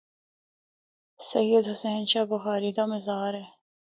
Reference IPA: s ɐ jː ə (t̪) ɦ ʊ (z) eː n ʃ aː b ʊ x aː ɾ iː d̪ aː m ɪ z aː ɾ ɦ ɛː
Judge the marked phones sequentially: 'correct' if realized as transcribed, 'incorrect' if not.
incorrect: d̪, incorrect: s

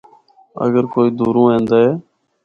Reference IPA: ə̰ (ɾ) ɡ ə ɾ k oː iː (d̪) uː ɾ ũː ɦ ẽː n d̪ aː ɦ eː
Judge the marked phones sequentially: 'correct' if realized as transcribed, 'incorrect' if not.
incorrect: none, correct

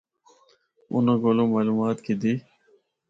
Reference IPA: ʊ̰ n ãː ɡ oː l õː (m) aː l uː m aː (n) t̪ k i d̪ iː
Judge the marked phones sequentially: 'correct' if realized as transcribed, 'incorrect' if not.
correct, incorrect: none

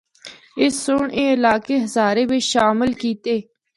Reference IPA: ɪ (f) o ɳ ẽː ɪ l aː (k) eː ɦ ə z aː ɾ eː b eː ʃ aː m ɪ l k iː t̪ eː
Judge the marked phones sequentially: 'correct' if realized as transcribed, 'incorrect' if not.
incorrect: s, correct

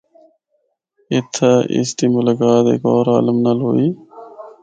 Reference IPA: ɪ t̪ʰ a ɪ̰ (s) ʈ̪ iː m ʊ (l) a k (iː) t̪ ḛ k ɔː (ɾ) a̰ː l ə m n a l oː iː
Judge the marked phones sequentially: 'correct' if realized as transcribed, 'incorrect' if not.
correct, correct, incorrect: aː, correct

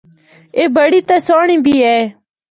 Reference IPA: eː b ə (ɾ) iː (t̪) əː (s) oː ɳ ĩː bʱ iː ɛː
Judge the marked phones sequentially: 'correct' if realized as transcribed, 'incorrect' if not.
incorrect: ɽ, correct, correct

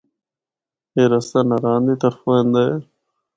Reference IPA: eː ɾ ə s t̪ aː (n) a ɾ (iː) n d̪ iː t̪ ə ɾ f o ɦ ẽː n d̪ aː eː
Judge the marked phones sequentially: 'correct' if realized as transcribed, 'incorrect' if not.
correct, incorrect: aː

